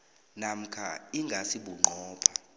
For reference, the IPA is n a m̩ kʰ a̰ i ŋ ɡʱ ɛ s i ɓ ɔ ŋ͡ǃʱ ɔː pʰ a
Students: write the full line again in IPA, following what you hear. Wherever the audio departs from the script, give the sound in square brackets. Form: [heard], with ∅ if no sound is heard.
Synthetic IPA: n a m̩ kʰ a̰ i ŋ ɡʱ [a] s i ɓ [u] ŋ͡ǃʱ ɔː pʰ a

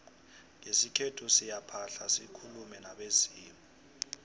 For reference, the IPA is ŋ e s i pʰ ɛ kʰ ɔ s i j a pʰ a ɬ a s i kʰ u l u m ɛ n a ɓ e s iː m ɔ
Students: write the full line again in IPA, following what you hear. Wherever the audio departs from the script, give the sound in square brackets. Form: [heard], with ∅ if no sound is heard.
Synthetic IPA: ŋ e s i [kʰ] ɛ [tʰ] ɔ s i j a pʰ a ɬ a s i kʰ u l u m ɛ n a ɓ e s iː m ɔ

